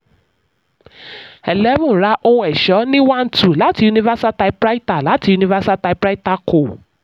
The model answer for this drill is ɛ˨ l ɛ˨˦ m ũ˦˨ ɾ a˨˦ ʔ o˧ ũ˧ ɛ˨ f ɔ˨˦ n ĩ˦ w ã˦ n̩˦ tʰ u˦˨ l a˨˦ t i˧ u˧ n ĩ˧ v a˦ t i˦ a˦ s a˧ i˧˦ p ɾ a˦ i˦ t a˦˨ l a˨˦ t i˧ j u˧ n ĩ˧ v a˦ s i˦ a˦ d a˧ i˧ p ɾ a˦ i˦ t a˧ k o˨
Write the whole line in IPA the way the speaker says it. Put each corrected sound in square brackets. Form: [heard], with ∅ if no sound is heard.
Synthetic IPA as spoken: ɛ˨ l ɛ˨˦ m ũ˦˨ ɾ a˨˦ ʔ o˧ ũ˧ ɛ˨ [ʃ] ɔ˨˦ n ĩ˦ w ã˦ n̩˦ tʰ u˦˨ l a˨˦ t i˧ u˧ n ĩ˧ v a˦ [s] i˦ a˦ [t] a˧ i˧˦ p ɾ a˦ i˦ t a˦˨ l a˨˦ t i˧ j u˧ n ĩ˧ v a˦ s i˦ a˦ [t] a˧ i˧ p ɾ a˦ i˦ t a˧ k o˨